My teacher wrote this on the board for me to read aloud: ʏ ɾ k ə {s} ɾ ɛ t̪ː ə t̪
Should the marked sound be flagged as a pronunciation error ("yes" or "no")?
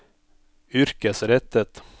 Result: no